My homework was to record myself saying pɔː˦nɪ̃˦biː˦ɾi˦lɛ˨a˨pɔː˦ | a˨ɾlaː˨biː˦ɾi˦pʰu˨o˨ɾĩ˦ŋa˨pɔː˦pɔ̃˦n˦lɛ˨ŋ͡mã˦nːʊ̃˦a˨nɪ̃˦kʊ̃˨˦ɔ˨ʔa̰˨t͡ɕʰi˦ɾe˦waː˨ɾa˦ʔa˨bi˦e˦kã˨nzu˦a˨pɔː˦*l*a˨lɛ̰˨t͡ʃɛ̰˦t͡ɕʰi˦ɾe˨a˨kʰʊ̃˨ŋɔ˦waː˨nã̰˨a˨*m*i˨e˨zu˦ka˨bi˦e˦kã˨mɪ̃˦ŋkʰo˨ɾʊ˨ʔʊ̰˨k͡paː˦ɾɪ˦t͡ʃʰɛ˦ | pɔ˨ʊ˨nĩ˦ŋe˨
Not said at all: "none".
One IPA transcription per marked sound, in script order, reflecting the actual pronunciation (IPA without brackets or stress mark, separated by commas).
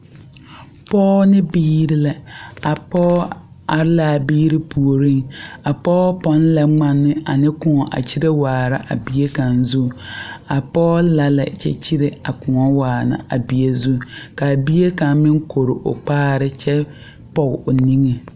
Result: l, b